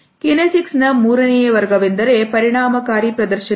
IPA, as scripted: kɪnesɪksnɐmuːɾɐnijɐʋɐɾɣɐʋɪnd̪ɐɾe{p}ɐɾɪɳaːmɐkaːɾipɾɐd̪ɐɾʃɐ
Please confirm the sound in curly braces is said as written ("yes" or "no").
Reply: yes